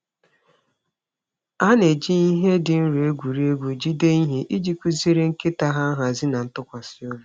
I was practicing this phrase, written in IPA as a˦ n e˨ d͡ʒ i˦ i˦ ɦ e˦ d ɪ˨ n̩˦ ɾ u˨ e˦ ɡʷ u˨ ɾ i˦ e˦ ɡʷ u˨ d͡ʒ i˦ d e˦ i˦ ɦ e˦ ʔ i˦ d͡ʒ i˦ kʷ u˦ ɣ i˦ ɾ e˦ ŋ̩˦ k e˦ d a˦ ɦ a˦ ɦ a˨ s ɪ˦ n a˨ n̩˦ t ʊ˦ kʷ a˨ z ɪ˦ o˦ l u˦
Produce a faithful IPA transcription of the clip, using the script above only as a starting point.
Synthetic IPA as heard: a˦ n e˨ d͡ʒ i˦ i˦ ɦ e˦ d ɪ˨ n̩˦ ɾ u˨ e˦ ɡʷ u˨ ɾ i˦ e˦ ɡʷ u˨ d͡ʒ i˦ d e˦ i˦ ɦ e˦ ʔ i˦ d͡ʒ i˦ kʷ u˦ z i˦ ɾ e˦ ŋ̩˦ k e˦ t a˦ ɦ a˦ ɦ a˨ z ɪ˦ n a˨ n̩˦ t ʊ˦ kʷ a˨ s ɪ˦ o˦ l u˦